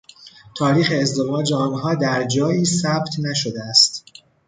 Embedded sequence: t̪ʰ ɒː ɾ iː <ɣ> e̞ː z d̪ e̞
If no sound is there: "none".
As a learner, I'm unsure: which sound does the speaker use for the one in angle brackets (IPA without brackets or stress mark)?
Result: x